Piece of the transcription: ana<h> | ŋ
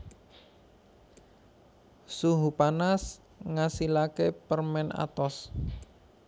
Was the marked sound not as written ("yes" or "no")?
yes